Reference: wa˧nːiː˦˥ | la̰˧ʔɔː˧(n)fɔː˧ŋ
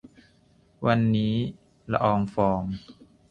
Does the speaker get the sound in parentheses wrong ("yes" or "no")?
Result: yes